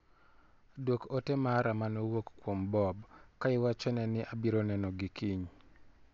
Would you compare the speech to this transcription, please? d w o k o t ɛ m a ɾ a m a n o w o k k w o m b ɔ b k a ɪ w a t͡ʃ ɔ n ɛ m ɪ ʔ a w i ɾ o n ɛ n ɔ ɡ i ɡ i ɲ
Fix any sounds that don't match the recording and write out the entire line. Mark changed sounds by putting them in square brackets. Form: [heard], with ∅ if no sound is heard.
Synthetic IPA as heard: d w o k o t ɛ m a ɾ a m a n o w o k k w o m b ɔ b k a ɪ w a t͡ʃ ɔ n ɛ [n] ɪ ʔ a [b] i ɾ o n ɛ n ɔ ɡ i [k] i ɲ